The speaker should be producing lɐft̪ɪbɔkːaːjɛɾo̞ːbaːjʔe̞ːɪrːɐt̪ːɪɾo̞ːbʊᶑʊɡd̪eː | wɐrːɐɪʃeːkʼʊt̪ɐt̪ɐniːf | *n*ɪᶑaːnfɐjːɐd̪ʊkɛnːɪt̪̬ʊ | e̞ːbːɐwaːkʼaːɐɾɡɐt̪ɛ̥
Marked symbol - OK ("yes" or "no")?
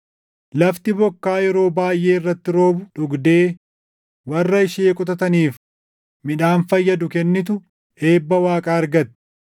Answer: no